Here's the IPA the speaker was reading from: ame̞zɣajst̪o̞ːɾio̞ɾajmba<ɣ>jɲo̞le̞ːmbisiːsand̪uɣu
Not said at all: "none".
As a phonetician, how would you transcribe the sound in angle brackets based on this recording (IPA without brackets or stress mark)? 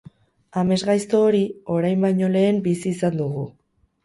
none